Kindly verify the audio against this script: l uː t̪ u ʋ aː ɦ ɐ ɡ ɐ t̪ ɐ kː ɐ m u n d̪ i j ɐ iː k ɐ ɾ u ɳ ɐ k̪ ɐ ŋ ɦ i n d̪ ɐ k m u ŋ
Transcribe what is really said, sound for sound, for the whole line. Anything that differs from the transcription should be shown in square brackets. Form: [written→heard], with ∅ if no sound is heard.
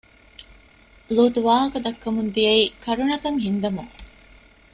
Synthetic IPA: l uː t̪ u ʋ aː ɦ ɐ [ɡ→k] ɐ [t̪→d̪] ɐ kː ɐ m u n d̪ i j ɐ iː k ɐ ɾ u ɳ ɐ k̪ ɐ ŋ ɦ i n d̪ ɐ [k→∅] m u ŋ